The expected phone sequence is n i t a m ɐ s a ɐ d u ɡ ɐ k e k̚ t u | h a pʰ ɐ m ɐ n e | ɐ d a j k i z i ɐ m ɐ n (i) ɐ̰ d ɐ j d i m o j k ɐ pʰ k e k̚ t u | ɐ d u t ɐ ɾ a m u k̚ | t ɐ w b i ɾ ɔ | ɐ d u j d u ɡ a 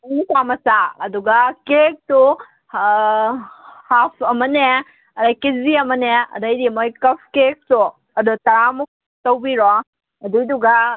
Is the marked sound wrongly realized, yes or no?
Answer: yes